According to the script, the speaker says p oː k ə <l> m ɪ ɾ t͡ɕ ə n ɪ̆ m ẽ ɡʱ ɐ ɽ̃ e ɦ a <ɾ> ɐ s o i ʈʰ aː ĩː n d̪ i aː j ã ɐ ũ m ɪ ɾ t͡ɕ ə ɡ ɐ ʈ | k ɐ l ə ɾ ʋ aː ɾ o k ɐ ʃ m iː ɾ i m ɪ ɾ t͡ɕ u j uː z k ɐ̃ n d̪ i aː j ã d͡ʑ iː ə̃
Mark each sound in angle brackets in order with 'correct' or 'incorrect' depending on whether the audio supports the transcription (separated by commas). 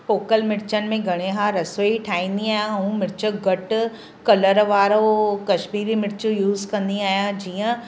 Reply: correct, correct